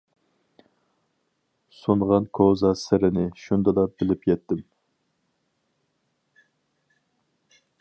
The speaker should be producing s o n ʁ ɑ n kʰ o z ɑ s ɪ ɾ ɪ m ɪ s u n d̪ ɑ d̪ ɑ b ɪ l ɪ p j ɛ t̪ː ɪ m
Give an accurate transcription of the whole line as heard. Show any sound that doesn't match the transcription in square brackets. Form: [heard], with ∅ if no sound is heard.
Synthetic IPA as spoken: s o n ʁ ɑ n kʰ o z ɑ s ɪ ɾ ɪ [n] ɪ [ʃ] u n d̪ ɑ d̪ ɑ b ɪ l ɪ p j ɛ t̪ː ɪ m

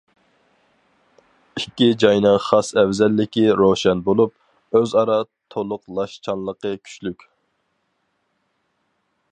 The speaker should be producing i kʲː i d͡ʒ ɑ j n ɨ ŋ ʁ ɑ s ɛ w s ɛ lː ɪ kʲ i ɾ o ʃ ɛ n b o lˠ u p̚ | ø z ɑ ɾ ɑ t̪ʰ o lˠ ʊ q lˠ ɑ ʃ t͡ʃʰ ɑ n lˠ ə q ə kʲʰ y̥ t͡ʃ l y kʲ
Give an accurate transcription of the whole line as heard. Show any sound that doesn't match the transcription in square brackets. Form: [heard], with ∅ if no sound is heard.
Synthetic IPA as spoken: i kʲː i d͡ʒ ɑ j n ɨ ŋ [χ] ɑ s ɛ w [z] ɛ lː ɪ kʲ i ɾ o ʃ ɛ n b o lˠ u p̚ | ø z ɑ ɾ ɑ t̪ʰ o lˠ ʊ q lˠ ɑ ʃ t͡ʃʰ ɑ n lˠ ə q ə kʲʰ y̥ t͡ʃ l y kʲ

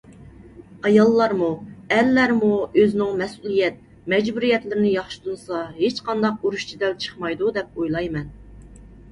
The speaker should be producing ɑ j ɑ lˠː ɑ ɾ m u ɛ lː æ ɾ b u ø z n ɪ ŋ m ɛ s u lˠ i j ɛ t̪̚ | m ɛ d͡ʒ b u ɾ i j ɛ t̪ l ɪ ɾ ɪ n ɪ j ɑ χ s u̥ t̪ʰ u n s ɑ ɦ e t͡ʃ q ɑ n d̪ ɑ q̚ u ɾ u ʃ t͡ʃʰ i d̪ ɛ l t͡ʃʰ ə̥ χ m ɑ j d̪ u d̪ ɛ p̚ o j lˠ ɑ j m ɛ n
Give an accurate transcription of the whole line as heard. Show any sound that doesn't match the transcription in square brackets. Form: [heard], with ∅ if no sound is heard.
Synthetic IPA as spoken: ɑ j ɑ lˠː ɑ ɾ m u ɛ lː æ ɾ [m] u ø z n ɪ ŋ m ɛ s u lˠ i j ɛ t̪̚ | m ɛ d͡ʒ b u ɾ i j ɛ t̪ l ɪ ɾ ɪ n ɪ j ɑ χ [ʃ] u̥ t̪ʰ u n s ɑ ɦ e t͡ʃ q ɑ n d̪ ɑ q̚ u ɾ u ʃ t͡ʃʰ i d̪ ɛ l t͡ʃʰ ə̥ χ m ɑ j d̪ u d̪ ɛ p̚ o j lˠ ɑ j m ɛ n

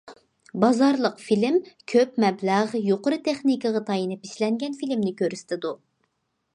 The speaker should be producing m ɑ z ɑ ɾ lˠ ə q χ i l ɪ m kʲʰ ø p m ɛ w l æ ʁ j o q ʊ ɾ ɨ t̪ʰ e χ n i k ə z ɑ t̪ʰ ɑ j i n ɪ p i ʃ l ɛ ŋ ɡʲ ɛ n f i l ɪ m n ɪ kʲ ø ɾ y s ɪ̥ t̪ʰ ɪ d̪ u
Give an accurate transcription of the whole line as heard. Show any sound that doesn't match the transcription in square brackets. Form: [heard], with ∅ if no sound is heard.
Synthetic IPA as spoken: [b] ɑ z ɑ ɾ lˠ ə q [f] i l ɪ m kʲʰ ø p m ɛ [b] l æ ʁ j o q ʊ ɾ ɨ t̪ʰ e χ n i k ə [ʁ] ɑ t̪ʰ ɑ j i n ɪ p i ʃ l ɛ ŋ ɡʲ ɛ n f i l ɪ m n ɪ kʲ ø ɾ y s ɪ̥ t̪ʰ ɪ d̪ u

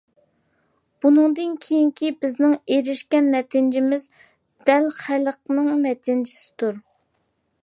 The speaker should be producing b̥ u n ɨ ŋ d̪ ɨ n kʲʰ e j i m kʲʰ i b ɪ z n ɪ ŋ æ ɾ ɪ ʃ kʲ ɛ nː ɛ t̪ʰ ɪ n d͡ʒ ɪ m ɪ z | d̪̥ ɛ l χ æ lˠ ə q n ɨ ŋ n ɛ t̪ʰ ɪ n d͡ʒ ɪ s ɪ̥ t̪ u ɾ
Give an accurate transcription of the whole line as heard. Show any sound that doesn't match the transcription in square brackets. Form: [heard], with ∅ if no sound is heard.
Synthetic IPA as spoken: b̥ u n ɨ ŋ d̪ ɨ n kʲʰ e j i [ŋ] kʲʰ i b ɪ z n ɪ ŋ [e] ɾ ɪ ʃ kʲ ɛ nː ɛ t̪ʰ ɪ n d͡ʒ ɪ m ɪ z | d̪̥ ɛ l χ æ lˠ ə q n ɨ ŋ n ɛ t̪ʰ ɪ n d͡ʒ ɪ s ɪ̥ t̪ u ɾ

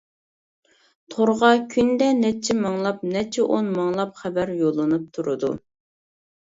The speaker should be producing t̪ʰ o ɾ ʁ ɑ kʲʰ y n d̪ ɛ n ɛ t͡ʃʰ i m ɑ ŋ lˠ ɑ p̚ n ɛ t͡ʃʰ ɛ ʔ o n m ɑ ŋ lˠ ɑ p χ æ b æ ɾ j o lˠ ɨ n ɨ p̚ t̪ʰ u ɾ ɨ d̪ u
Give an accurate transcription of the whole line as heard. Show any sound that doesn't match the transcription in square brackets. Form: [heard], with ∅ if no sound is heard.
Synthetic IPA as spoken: t̪ʰ o ɾ ʁ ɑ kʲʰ y n d̪ ɛ n ɛ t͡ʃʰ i m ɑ ŋ lˠ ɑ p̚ n ɛ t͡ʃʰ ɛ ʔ o n m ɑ ŋ lˠ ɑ p χ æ b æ ɾ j o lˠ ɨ n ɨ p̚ t̪ʰ u ɾ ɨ d̪ u

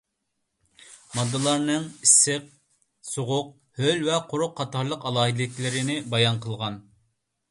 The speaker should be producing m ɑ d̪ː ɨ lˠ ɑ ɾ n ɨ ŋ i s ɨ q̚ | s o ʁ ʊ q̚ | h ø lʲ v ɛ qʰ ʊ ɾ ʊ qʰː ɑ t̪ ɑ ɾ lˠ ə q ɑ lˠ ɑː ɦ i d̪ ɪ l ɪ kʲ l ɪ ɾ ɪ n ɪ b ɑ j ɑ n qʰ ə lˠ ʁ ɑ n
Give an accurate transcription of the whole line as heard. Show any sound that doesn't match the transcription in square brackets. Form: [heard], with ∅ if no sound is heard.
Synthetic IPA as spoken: m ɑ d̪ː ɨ lˠ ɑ ɾ n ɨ ŋ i s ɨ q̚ | s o ʁ ʊ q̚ | h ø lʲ v ɛ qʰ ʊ ɾ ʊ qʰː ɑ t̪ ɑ ɾ lˠ ə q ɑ lˠ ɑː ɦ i d̪ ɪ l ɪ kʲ l ɪ ɾ ɪ n ɪ b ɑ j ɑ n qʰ ə lˠ ʁ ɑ n

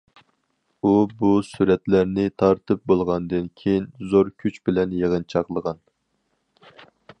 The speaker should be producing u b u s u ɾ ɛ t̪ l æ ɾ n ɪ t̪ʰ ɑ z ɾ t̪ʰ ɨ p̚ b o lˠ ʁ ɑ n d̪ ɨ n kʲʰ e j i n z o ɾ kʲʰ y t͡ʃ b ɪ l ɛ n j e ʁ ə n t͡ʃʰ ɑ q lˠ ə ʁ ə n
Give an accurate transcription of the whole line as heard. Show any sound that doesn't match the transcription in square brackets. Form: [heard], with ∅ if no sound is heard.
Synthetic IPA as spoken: u b u s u ɾ ɛ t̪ l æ ɾ n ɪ t̪ʰ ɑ [∅] ɾ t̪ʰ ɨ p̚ b o lˠ ʁ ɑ n d̪ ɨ n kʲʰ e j i n z o ɾ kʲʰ y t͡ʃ b ɪ l ɛ n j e ʁ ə n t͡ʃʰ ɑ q lˠ ə ʁ [ɑ] n

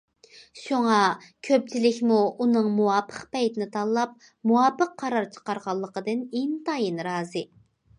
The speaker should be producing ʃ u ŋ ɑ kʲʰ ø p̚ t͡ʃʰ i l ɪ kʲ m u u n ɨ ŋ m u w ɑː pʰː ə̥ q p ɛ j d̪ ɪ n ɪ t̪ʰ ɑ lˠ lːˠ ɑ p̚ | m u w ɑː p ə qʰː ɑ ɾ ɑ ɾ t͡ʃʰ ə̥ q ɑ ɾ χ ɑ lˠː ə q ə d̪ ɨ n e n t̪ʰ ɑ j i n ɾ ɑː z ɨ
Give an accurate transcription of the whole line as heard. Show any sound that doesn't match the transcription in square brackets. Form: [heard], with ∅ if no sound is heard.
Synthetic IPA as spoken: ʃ u ŋ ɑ kʲʰ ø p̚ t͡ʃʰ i l ɪ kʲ m u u n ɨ ŋ m u w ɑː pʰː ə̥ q p ɛ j [t̪] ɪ n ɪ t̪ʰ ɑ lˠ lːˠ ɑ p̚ | m u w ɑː p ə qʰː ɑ ɾ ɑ ɾ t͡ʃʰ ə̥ q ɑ ɾ [ʁ] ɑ lˠː ə q ə d̪ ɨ n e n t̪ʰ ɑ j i n ɾ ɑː z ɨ

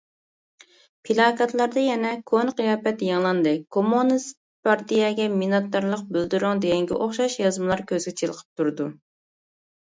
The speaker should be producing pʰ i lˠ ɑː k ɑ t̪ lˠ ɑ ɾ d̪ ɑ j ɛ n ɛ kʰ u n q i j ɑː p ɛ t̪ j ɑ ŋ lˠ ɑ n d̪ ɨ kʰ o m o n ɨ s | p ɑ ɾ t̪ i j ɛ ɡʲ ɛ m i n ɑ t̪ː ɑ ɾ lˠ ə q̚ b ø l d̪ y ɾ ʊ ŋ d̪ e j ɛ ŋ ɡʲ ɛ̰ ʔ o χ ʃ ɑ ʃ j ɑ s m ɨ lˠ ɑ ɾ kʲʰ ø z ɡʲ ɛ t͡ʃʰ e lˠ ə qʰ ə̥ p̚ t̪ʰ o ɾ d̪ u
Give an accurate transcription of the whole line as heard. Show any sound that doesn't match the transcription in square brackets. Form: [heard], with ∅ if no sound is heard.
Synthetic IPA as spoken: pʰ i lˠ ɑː k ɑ t̪ lˠ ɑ ɾ d̪ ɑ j ɛ n ɛ kʰ [o] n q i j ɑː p ɛ t̪ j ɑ ŋ lˠ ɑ n d̪ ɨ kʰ o m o n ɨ s | p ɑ ɾ t̪ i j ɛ ɡʲ ɛ m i n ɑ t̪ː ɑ ɾ lˠ ə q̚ b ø l d̪ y ɾ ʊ ŋ d̪ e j ɛ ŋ ɡʲ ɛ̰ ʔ o χ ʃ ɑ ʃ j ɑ [z] m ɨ lˠ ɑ ɾ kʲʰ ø z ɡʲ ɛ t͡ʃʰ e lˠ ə qʰ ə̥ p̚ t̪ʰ [u] ɾ d̪ u

